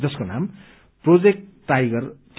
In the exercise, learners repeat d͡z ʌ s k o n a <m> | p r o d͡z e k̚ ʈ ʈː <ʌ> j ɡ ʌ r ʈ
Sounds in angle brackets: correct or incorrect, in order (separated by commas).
correct, incorrect